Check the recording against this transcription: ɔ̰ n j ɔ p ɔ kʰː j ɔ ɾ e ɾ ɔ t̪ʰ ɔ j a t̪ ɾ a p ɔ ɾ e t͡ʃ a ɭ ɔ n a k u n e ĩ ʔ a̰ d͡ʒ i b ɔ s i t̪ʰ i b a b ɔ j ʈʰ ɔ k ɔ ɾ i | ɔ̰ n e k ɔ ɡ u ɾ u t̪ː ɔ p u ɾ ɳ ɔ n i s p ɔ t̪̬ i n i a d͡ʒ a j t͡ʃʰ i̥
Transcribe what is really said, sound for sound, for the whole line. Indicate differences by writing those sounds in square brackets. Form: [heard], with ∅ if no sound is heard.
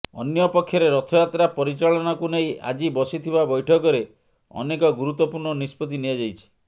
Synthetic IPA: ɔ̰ n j ɔ p ɔ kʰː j ɔ ɾ e ɾ ɔ t̪ʰ ɔ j a t̪ ɾ a p ɔ ɾ [i] t͡ʃ a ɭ ɔ n a k u n e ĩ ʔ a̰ d͡ʒ i b ɔ s i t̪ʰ i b a b ɔ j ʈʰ ɔ k ɔ ɾ [e] | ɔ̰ n e k ɔ ɡ u ɾ u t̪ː ɔ p u ɾ ɳ ɔ n i s p ɔ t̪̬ i n i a d͡ʒ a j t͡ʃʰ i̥